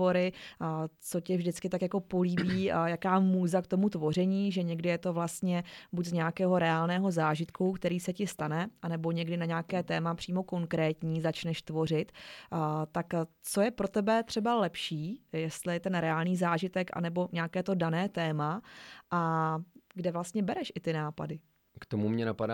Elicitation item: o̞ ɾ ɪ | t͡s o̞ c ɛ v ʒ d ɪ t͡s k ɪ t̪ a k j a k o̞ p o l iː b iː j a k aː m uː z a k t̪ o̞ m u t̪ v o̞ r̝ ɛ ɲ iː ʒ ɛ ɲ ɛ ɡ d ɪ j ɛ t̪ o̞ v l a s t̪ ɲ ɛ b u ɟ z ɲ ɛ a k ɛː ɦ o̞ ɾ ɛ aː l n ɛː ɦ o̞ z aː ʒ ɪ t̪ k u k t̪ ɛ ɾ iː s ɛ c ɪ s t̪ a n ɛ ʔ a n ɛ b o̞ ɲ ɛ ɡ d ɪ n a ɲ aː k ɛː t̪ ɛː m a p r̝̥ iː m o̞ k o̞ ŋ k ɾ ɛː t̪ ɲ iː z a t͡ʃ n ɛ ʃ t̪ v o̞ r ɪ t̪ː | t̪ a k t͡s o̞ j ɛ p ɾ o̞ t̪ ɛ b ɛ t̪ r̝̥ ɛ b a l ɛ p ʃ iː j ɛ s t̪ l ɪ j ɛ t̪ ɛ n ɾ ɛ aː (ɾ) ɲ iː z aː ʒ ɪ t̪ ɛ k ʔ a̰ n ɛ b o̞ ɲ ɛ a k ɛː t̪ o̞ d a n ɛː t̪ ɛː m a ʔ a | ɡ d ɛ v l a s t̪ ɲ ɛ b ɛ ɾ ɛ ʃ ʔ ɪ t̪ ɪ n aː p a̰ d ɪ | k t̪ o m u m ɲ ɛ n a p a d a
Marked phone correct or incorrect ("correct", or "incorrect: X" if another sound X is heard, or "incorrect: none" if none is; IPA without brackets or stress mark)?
incorrect: l